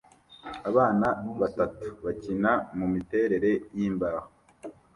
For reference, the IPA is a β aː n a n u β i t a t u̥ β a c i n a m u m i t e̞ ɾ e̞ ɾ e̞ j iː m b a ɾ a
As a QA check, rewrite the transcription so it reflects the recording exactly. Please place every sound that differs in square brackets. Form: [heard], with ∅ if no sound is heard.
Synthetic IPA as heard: a β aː n a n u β [a] t a t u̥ β a c i n a m u m i t e̞ ɾ e̞ ɾ e̞ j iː m b a ɾ a